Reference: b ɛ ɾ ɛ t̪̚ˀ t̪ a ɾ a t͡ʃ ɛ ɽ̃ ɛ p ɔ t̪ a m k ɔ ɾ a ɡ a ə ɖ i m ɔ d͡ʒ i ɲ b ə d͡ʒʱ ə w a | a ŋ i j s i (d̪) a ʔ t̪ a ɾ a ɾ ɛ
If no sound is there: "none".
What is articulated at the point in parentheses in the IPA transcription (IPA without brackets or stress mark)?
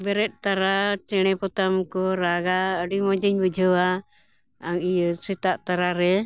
t̪